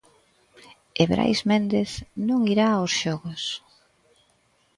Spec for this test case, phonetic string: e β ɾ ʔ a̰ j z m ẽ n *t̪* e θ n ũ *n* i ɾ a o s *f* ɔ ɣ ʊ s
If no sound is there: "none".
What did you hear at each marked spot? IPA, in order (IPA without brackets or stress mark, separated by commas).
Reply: d̪, ŋ, ʃ